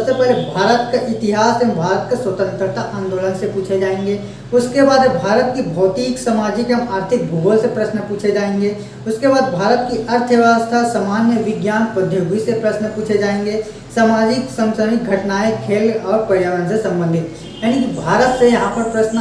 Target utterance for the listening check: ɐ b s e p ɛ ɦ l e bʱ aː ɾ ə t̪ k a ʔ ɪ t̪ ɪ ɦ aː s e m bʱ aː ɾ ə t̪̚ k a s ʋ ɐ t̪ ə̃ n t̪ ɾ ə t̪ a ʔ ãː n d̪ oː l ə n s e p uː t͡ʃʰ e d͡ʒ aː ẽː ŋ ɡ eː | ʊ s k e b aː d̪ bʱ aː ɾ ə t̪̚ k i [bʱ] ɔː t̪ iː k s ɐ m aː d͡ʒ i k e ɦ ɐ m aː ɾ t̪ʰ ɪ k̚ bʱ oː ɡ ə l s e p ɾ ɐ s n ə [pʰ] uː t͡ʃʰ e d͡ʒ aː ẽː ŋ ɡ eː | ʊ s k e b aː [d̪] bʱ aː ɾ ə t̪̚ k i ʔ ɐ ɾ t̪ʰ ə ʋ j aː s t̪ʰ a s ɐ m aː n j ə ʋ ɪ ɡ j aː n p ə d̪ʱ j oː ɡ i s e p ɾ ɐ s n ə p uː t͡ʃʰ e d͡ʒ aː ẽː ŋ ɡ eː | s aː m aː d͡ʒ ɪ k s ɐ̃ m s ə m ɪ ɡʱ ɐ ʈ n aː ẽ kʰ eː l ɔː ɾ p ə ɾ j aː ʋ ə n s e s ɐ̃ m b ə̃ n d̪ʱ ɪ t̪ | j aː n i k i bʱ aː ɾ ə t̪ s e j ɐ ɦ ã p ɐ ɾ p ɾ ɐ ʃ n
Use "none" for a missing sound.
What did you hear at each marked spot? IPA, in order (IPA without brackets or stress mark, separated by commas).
bʱ, p, d̪